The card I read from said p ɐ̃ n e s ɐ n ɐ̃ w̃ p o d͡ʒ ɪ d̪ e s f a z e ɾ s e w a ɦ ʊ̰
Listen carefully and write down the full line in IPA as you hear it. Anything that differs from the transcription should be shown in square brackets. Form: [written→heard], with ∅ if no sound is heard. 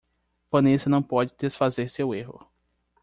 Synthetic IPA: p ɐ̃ n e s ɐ n ɐ̃ w̃ p [o→ɔ] d͡ʒ ɪ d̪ e s f a z e ɾ s e w [a→e] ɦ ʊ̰